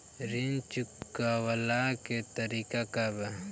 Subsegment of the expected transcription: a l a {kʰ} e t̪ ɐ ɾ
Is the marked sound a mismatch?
yes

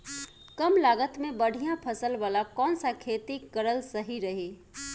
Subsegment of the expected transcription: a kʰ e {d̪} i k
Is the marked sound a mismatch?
yes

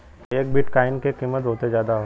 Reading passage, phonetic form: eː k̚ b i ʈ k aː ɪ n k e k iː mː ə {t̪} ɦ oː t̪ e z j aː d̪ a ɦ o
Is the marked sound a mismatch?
no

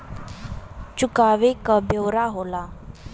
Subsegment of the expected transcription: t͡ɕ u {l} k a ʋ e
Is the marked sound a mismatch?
yes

